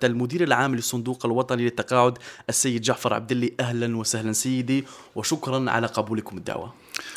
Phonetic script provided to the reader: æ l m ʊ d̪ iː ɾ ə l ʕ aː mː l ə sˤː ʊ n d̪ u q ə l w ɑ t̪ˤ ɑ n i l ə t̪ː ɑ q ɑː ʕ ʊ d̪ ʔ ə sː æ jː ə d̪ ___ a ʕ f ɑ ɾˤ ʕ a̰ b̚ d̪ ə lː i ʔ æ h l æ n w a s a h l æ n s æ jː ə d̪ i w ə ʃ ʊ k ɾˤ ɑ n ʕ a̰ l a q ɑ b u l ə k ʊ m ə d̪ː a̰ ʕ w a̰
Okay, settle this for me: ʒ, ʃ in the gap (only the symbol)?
ʒ